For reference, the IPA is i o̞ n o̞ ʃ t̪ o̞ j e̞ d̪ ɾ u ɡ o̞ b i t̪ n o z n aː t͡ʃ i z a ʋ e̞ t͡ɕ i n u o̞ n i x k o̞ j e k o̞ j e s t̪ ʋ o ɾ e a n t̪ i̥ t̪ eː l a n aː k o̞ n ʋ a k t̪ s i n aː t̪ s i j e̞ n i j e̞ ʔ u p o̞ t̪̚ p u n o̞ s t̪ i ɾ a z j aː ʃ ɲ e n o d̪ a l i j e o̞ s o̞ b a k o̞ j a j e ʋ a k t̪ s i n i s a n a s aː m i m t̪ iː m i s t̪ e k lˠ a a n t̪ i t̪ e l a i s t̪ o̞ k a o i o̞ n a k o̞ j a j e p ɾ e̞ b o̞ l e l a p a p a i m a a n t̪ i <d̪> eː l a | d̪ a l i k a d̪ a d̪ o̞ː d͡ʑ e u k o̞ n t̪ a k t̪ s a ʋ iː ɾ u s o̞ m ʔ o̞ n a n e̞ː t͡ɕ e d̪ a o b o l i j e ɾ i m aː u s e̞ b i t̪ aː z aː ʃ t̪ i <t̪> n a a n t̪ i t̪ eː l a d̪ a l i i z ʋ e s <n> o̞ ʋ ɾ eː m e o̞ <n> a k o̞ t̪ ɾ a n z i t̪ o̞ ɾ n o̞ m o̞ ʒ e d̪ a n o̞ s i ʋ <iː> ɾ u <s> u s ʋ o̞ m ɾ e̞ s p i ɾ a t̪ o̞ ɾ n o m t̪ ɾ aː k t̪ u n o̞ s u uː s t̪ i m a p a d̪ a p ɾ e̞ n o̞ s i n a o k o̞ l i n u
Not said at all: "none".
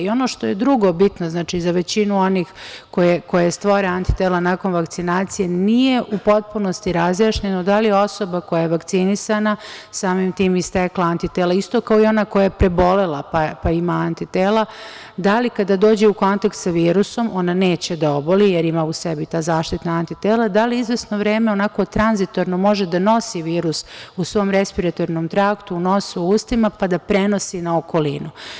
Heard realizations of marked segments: t̪, t̪, n, n, iː, s

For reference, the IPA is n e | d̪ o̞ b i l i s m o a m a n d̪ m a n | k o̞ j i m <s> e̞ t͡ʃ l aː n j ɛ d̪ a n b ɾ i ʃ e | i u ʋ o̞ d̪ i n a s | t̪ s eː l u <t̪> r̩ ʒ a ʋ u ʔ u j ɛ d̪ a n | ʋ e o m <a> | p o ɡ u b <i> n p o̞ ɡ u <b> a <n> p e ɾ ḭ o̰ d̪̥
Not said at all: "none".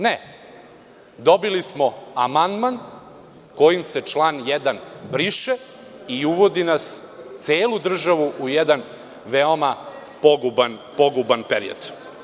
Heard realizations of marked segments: s, d̪, a, a, b, n

